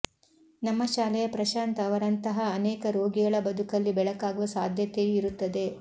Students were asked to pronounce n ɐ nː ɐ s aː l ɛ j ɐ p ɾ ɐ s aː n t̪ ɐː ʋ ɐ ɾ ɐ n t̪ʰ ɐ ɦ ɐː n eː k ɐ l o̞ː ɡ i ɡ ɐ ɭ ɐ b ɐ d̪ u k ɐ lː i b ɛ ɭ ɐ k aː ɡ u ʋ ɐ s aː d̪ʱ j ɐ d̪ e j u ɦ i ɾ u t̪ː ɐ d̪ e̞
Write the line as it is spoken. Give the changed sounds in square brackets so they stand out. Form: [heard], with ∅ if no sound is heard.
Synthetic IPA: n ɐ [mː] ɐ [ʃ] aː l ɛ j ɐ p ɾ ɐ [ʃ] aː n t̪ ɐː ʋ ɐ ɾ ɐ n [t̪] ɐ ɦ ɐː n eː k ɐ [ɾ] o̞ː ɡ i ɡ ɐ ɭ ɐ b ɐ d̪ u k ɐ lː i b ɛ ɭ ɐ k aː ɡ u ʋ ɐ s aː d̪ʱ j ɐ [t̪] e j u [∅] i ɾ u t̪ː ɐ d̪ e̞